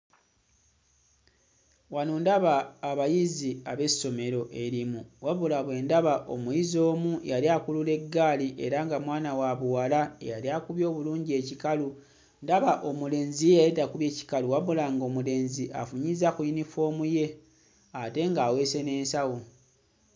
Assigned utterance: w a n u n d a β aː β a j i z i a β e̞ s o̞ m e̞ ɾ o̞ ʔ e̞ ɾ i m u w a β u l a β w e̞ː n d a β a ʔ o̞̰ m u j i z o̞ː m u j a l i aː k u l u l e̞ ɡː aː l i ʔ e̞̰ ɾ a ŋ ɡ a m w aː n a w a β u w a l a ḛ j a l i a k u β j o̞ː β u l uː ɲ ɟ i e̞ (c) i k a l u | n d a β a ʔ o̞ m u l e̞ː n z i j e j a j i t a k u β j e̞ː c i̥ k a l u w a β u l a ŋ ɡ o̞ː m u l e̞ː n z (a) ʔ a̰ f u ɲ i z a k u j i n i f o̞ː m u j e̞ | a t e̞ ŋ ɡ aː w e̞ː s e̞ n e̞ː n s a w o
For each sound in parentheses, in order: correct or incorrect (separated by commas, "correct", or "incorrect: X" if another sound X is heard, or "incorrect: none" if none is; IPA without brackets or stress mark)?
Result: correct, incorrect: i